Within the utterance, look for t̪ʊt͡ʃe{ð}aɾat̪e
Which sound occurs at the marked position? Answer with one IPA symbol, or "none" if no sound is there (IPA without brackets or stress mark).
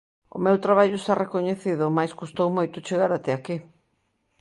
ɣ